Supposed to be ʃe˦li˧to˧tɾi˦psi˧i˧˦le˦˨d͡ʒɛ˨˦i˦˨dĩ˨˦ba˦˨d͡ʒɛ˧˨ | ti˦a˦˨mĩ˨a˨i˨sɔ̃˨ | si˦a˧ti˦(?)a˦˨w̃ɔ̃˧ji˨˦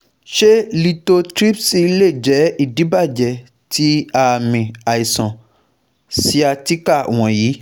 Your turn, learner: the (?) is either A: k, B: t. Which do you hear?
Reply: A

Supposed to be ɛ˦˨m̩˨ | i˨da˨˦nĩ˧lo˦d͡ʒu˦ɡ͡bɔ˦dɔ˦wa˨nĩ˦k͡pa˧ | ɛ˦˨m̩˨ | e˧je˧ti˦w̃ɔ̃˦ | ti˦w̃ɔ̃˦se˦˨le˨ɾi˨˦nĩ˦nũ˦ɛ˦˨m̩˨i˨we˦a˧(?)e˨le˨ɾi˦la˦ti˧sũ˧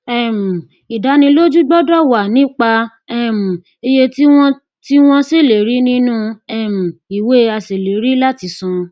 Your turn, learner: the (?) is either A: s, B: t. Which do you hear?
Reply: A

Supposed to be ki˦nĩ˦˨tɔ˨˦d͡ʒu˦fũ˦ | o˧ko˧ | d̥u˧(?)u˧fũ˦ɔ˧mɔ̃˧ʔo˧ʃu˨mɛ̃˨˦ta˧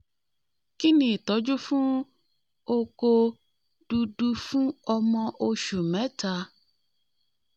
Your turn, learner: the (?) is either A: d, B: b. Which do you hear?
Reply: A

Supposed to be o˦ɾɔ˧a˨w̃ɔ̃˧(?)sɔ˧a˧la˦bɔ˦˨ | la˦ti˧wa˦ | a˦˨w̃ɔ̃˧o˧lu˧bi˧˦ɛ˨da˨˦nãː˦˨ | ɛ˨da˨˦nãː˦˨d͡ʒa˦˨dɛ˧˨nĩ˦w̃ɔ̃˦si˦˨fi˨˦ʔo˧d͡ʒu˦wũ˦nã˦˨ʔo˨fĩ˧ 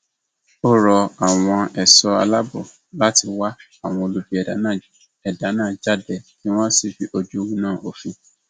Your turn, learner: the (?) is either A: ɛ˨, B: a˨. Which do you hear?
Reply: A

